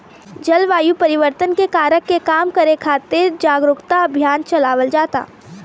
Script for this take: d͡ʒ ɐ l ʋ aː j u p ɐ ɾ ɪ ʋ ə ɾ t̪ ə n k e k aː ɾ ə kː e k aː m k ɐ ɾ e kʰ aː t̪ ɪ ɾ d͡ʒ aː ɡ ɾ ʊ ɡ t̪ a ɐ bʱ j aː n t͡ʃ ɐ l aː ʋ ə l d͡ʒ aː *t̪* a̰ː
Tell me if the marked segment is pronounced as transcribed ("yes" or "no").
yes